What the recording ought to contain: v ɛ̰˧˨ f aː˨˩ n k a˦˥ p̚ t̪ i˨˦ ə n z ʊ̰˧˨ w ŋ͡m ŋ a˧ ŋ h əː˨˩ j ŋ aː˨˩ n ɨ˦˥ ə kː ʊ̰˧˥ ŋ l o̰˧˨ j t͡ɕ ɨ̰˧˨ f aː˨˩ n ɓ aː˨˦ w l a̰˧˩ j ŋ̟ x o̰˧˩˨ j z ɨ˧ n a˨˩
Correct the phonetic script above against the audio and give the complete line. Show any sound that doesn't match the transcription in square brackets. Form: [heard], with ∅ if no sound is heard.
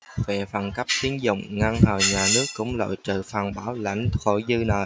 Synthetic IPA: v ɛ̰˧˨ f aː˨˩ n k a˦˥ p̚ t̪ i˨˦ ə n z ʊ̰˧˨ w ŋ͡m ŋ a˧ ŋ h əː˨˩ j [ɲ] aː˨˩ n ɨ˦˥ ə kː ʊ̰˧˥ [ŋ͡m] l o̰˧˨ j t͡ɕ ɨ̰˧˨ f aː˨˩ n ɓ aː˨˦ w l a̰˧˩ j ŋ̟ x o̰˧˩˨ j z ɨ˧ n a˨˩

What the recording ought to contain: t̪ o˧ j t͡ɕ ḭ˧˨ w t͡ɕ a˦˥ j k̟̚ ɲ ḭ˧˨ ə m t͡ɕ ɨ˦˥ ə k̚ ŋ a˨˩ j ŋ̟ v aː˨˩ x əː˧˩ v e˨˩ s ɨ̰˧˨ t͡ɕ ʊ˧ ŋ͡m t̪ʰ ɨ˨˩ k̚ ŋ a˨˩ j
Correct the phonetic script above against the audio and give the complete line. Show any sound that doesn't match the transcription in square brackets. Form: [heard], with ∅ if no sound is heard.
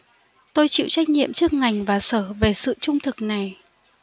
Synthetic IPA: t̪ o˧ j t͡ɕ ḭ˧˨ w t͡ɕ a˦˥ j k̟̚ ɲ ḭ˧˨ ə m t͡ɕ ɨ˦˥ ə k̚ ŋ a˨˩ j ŋ̟ v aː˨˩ [s] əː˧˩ v e˨˩ s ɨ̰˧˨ t͡ɕ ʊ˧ ŋ͡m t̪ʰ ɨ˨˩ k̚ [n] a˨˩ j

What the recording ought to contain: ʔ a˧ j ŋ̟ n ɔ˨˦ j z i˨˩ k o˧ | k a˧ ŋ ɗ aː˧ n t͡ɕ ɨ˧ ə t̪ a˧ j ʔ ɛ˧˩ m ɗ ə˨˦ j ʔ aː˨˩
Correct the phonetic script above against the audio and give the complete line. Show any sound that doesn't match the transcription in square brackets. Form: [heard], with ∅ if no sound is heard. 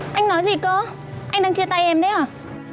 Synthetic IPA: ʔ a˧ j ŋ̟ n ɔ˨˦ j z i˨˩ k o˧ | [ʔ] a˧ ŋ ɗ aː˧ [ŋ] t͡ɕ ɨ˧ ə t̪ a˧ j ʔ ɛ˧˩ m ɗ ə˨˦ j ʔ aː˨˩

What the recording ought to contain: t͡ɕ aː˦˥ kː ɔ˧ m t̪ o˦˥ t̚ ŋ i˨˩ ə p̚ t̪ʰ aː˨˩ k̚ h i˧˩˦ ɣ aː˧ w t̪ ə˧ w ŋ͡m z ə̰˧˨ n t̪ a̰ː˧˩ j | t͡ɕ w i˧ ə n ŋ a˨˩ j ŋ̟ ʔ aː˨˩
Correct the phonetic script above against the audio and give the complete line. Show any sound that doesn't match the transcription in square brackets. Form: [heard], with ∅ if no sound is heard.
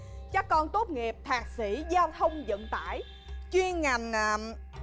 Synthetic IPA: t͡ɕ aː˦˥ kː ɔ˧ [n] t̪ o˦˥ t̚ ŋ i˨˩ ə p̚ t̪ʰ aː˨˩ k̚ [s] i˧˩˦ [z] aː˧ w [t̪ʰ] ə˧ w ŋ͡m z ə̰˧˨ n t̪ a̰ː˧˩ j | t͡ɕ w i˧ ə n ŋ a˨˩ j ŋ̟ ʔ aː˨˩

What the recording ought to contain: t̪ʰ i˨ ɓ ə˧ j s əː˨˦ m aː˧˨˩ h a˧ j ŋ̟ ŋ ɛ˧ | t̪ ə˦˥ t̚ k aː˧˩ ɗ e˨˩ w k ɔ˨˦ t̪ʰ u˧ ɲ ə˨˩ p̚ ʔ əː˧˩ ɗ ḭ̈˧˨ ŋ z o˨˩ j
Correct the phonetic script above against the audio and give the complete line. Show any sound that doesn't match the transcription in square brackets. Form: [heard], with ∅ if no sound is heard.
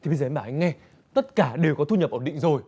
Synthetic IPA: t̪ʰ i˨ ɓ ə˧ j [z] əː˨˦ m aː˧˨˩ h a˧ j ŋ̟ ŋ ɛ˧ | t̪ ə˦˥ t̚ k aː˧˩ ɗ e˨˩ w k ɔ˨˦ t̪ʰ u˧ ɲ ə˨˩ p̚ ʔ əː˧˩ ɗ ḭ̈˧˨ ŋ z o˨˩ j

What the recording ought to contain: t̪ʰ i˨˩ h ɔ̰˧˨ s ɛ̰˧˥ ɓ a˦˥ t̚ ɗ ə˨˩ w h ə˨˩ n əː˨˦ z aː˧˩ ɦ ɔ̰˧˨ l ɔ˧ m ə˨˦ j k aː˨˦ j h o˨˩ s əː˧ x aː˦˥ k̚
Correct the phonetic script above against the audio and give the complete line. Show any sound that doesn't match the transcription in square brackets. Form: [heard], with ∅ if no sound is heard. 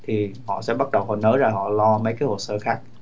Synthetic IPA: t̪ʰ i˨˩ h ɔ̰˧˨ s ɛ̰˧˥ ɓ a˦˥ t̚ ɗ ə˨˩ w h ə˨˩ n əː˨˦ z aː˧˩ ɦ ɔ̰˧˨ l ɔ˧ m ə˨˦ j k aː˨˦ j h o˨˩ s əː˧ x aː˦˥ k̚

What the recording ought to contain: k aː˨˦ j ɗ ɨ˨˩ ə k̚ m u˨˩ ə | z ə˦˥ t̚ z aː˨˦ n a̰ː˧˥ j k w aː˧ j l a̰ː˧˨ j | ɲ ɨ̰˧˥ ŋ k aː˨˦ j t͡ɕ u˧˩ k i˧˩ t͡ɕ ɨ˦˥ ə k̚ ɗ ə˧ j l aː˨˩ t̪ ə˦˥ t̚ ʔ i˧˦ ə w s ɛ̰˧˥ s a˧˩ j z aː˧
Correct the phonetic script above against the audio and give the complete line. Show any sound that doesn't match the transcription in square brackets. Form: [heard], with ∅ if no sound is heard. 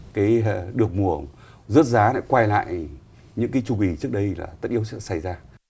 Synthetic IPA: k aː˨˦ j ɗ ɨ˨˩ ə k̚ m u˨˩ ə | z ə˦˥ t̚ z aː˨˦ n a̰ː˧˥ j k w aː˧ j l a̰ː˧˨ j | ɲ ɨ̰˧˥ ŋ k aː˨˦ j t͡ɕ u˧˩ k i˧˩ t͡ɕ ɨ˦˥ ə k̚ ɗ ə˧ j l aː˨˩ t̪ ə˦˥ t̚ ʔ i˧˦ ə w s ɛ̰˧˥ s a˧˩ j z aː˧

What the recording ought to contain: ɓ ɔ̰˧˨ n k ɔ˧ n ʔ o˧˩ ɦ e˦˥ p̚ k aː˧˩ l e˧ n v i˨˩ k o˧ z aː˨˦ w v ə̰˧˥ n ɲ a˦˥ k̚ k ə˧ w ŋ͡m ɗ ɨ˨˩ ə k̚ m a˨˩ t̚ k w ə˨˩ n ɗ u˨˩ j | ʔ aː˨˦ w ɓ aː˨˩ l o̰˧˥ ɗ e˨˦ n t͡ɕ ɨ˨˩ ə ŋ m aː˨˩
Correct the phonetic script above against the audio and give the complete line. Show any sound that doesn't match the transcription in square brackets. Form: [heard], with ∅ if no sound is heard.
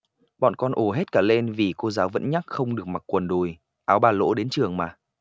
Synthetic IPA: ɓ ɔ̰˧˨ n k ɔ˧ n ʔ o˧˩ ɦ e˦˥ [t̚] k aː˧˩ l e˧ n v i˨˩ k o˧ z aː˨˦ w v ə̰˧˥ n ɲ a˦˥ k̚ [x] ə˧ w ŋ͡m ɗ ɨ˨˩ ə k̚ m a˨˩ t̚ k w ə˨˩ n ɗ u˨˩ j | ʔ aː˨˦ w ɓ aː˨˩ l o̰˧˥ ɗ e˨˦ n t͡ɕ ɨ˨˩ ə ŋ m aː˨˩

